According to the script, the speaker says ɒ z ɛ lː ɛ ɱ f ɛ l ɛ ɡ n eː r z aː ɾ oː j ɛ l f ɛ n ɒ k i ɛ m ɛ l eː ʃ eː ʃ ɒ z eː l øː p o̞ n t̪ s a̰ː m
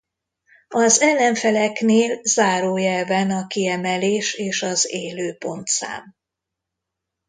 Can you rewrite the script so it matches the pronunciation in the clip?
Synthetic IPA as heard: ɒ z ɛ lː ɛ ɱ f ɛ l ɛ k n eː l z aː ɾ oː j ɛ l v ɛ n ɒ k i ɛ m ɛ l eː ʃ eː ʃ ɒ z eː l øː p o̞ n t̪ s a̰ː m